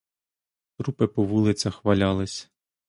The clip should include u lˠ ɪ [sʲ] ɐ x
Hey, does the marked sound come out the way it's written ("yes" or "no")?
no